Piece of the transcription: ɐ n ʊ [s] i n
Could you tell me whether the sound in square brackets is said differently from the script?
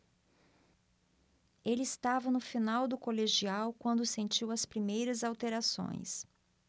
yes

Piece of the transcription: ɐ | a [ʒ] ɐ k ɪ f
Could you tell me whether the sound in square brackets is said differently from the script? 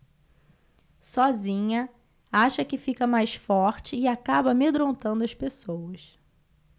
yes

